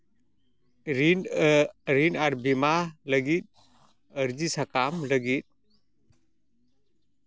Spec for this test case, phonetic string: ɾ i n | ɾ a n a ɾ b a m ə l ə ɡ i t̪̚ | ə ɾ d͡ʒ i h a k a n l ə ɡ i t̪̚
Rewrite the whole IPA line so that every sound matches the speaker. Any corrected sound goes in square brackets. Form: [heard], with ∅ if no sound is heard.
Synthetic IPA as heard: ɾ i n | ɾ [i] n a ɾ b [i] m [a] l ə ɡ i t̪̚ | ə ɾ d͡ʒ i [s] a k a [m] l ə ɡ i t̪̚